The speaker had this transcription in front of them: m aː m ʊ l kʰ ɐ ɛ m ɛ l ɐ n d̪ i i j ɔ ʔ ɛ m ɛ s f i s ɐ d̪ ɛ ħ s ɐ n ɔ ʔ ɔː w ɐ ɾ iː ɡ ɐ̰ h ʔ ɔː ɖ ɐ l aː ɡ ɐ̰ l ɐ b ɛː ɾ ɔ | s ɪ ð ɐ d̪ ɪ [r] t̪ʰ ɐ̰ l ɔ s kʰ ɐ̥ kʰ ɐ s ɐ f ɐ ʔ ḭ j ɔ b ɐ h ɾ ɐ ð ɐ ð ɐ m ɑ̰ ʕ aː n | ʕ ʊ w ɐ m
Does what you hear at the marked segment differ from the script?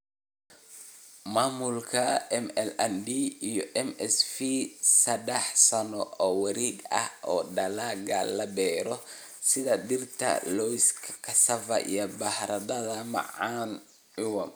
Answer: no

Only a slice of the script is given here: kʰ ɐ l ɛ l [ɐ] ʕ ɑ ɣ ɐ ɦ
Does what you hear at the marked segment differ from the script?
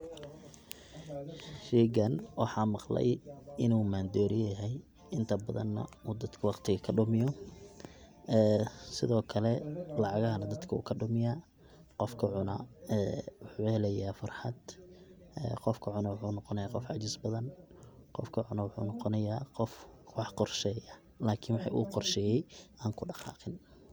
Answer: yes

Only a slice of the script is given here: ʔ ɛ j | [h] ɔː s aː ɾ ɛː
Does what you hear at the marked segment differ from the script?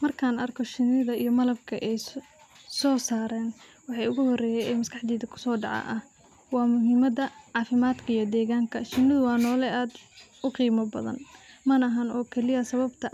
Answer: yes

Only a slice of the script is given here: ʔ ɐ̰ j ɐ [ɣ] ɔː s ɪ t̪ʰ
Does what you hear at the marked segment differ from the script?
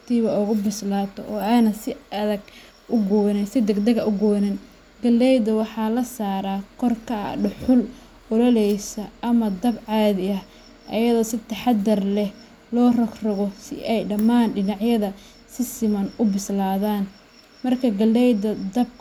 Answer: yes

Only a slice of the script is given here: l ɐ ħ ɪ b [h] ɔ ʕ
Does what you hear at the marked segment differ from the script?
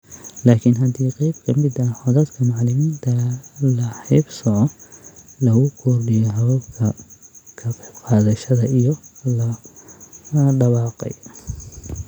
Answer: yes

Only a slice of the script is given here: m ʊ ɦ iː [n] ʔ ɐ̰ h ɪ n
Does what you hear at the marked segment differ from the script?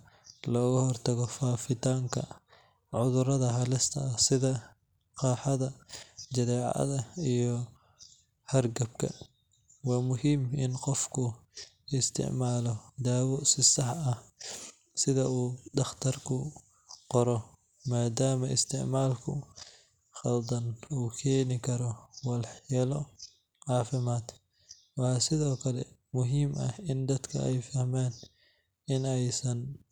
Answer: yes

